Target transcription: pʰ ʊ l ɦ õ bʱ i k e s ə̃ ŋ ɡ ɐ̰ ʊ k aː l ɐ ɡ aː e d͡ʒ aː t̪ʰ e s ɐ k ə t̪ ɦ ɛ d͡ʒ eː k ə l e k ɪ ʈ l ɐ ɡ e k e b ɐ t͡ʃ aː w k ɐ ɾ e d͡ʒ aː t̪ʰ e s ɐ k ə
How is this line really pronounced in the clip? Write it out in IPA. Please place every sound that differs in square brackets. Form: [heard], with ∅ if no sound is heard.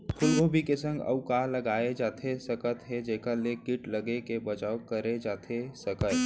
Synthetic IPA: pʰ ʊ l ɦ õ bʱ i k e s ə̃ ŋ ɡ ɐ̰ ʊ k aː l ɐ ɡ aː e d͡ʒ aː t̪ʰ e s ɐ k ə t̪ ɦ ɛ d͡ʒ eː k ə l e k ɪ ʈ l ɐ ɡ e k e b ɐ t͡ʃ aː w k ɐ ɾ e d͡ʒ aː t̪ʰ e s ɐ k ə